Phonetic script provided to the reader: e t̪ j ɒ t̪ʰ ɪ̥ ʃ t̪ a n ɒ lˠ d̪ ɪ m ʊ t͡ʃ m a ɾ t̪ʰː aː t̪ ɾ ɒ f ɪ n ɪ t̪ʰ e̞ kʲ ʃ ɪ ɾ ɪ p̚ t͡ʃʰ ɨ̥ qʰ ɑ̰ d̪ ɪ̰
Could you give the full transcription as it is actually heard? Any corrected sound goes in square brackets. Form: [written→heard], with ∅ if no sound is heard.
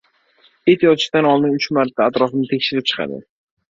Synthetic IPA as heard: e t̪ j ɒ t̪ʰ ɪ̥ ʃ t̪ a n ɒ lˠ d̪ ɪ [m→n] ʊ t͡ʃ m a ɾ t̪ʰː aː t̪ ɾ ɒ f ɪ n ɪ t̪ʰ e̞ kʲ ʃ ɪ ɾ ɪ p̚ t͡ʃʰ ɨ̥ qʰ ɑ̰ d̪ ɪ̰